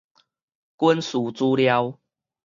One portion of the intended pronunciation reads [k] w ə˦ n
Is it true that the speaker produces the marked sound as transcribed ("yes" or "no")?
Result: yes